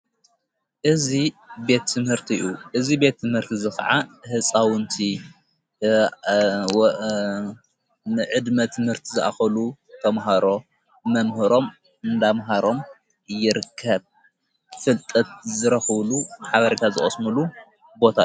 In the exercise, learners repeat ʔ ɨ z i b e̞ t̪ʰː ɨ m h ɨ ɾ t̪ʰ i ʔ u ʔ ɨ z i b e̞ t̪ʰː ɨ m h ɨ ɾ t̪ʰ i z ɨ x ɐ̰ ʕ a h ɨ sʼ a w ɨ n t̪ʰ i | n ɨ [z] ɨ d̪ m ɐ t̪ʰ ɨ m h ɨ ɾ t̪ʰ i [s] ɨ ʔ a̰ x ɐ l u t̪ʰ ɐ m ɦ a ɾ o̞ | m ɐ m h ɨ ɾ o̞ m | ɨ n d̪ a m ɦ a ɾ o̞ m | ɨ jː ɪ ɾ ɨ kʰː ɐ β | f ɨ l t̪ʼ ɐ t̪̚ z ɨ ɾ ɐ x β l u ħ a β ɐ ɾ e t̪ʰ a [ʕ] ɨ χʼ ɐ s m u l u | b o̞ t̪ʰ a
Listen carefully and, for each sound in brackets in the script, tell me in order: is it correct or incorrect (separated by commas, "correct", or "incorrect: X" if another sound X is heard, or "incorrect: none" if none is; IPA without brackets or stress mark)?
incorrect: ʕ, incorrect: z, incorrect: z